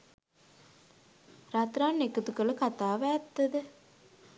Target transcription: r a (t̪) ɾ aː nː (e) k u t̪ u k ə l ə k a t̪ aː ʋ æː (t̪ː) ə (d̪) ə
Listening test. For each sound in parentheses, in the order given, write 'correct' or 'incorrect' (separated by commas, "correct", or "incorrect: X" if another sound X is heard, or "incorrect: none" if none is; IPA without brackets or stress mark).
correct, correct, correct, correct